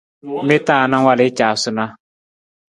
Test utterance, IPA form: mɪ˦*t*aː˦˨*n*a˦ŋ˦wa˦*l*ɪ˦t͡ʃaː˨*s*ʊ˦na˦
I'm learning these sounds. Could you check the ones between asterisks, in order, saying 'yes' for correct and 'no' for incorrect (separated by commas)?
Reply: yes, yes, yes, yes